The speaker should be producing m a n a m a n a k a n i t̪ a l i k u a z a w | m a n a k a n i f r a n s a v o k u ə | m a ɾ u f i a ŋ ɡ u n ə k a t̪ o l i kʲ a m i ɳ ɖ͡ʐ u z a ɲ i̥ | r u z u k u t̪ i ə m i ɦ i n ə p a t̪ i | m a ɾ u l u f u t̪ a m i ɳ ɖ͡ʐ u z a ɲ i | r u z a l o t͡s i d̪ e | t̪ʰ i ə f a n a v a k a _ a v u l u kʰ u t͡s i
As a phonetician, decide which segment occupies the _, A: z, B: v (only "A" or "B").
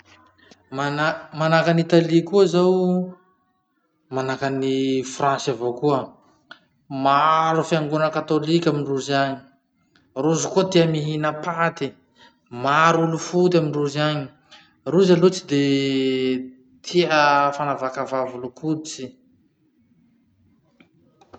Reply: B